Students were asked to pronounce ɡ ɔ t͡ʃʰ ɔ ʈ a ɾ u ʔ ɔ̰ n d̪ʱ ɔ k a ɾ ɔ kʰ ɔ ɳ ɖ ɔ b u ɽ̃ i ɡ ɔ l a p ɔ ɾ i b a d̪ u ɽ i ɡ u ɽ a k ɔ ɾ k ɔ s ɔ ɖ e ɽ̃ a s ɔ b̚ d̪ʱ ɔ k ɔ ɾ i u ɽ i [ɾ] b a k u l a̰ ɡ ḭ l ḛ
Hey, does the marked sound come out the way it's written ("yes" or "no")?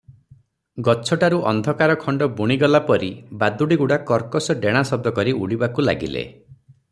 no